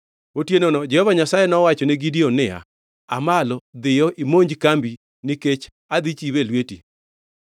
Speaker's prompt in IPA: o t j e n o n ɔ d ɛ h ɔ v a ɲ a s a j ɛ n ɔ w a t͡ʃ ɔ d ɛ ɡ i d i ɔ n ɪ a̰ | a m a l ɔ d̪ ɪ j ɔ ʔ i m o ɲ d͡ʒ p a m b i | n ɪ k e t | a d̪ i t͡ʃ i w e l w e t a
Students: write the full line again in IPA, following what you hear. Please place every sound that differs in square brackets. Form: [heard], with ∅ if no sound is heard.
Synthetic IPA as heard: o t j e n o n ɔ [d͡ʒ] ɛ h ɔ v a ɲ a s a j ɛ n ɔ w a t͡ʃ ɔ [n] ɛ ɡ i d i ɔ n ɪ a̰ | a m a l ɔ d̪ ɪ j ɔ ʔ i m o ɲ d͡ʒ [k] a m b i | n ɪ k e [t͡ʃ] | a d̪ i t͡ʃ i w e l w e t [i]